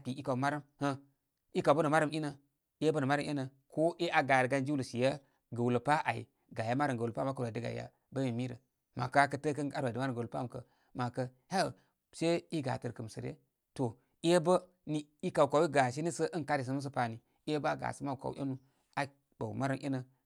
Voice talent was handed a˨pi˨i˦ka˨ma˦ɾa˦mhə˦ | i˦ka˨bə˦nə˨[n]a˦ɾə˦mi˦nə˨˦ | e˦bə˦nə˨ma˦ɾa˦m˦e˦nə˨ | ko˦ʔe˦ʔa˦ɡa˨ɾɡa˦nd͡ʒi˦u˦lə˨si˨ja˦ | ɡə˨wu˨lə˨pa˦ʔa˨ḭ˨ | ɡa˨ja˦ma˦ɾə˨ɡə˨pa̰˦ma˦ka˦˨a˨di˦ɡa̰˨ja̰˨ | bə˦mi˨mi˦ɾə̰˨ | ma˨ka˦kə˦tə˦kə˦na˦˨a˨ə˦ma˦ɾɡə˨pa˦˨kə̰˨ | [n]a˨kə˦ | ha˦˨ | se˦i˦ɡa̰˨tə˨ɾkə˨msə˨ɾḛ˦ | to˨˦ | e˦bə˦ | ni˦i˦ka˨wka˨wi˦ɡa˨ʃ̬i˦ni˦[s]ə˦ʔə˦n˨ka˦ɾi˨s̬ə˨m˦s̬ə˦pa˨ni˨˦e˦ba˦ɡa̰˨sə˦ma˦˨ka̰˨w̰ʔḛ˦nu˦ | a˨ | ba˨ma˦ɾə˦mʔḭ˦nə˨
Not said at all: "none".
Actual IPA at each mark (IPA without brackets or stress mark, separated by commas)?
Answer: m, m, s